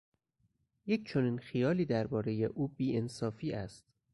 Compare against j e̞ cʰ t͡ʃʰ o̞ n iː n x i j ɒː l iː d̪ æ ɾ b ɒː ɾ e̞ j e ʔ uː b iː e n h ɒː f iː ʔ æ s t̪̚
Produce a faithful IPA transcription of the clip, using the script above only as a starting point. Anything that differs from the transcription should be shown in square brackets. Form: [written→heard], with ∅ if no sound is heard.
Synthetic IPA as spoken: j e̞ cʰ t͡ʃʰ o̞ n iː n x i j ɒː l iː d̪ æ ɾ b ɒː ɾ e̞ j e ʔ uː b iː e n [h→s] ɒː f iː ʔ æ s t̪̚